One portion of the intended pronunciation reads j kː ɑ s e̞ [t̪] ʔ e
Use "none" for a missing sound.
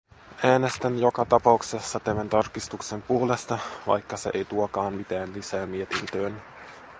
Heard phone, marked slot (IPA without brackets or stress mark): none